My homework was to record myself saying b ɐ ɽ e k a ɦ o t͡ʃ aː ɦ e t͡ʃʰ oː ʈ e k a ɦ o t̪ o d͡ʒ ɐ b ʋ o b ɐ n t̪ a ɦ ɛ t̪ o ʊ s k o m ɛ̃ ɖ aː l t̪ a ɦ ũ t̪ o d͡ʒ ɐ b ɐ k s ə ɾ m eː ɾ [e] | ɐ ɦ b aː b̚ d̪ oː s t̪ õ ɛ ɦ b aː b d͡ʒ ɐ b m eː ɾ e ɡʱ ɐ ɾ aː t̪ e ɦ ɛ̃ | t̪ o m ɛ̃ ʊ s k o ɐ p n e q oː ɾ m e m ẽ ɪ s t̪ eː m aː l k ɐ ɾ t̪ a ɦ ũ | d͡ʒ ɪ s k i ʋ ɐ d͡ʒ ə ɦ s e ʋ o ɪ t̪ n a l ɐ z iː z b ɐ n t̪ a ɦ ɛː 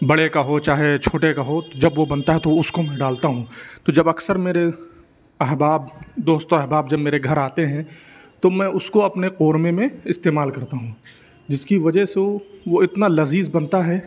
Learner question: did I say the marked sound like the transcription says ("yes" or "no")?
yes